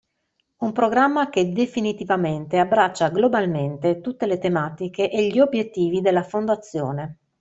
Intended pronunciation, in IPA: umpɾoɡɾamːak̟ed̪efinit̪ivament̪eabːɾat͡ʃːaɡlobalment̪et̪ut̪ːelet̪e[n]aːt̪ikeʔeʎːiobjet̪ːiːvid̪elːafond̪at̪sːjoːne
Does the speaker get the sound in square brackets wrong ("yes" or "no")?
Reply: yes